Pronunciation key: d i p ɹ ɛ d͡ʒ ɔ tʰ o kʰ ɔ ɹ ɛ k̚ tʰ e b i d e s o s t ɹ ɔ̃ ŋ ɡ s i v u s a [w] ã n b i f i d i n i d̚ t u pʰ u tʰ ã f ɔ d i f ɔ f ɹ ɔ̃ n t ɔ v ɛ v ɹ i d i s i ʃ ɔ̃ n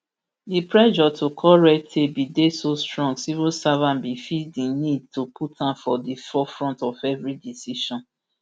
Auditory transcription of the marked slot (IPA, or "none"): v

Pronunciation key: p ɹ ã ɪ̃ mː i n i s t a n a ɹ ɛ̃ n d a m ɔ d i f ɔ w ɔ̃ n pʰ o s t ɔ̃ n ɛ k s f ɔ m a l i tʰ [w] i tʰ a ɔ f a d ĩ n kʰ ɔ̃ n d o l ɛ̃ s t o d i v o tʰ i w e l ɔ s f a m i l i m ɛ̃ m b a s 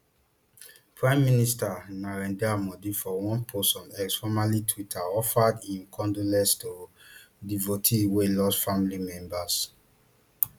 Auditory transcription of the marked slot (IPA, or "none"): w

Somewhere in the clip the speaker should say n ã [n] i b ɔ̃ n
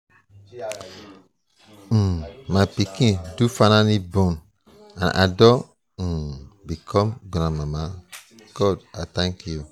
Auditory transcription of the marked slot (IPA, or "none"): n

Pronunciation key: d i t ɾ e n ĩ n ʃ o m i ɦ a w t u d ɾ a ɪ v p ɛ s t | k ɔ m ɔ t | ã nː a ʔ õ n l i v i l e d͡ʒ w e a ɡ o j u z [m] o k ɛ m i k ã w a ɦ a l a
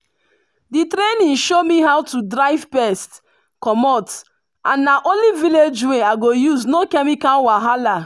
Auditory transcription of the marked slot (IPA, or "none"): n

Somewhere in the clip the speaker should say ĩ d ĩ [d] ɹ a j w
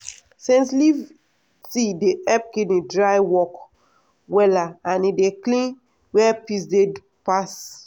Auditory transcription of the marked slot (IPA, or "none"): d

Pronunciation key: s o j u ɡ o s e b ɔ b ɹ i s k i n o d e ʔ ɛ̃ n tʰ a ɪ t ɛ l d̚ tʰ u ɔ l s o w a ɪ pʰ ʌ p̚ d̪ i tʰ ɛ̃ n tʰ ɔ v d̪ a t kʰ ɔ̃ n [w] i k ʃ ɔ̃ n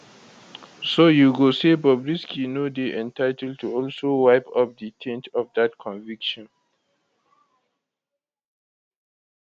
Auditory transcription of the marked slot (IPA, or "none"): v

